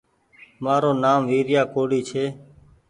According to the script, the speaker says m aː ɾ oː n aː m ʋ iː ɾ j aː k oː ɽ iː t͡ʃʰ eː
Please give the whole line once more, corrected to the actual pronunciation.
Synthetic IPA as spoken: m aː ɾ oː n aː m ʋ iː ɾ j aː k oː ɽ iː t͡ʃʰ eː